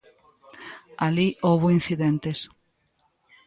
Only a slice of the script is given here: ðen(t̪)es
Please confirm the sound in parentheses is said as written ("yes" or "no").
yes